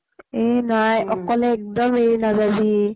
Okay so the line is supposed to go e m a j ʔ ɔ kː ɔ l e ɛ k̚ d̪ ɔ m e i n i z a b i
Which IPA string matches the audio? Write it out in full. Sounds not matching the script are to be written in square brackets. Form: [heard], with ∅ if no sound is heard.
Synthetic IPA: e [n] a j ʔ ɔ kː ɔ l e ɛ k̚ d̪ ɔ m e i n [a] z a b i